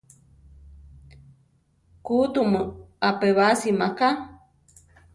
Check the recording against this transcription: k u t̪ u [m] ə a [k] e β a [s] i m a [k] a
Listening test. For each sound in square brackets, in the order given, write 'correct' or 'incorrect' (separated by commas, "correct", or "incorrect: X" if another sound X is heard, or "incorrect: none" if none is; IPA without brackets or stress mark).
correct, incorrect: p, correct, correct